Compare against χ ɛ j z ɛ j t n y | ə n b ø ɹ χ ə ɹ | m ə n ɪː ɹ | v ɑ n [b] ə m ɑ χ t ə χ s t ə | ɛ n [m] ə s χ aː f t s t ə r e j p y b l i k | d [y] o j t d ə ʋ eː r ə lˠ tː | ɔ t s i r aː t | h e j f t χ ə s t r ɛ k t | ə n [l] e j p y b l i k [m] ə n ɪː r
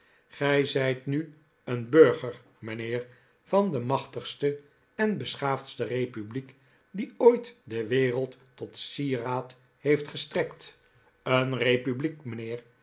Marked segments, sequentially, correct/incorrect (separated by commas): incorrect, incorrect, incorrect, incorrect, correct